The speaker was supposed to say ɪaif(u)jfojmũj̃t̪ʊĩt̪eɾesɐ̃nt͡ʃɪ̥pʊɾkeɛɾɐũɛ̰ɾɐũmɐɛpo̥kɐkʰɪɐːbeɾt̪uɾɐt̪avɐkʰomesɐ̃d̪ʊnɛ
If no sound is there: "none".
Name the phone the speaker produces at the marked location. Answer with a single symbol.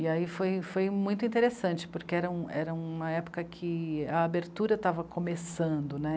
o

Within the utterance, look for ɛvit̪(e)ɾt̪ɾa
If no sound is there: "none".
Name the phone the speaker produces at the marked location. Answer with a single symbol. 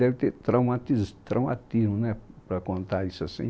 e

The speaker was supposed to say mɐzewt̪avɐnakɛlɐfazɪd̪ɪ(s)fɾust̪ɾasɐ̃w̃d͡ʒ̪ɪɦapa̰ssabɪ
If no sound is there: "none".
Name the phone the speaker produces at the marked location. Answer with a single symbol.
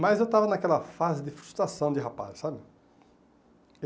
none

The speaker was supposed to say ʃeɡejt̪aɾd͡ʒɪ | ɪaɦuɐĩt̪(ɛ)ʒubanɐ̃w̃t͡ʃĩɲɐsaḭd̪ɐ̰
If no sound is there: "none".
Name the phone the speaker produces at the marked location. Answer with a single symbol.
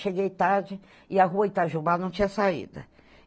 a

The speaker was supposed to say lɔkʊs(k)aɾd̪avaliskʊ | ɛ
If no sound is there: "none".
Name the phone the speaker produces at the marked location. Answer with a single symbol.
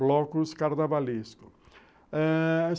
k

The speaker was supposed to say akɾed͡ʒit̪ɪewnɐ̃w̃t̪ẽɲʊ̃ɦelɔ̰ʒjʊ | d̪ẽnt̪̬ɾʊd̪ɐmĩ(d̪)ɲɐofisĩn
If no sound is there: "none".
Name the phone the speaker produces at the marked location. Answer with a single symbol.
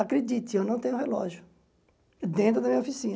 none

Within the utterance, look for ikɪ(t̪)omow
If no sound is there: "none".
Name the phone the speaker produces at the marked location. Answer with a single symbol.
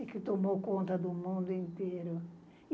t̪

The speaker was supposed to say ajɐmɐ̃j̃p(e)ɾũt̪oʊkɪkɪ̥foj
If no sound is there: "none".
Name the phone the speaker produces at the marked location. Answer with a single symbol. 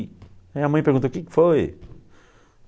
e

